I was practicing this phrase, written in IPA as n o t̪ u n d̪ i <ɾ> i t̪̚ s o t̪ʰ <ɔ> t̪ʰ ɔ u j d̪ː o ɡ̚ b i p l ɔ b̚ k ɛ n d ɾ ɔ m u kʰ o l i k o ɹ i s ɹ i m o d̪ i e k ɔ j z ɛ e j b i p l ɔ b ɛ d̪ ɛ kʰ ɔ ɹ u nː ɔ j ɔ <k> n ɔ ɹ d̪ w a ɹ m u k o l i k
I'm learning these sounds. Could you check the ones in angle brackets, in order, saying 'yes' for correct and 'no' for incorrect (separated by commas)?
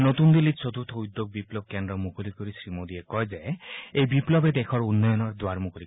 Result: no, no, no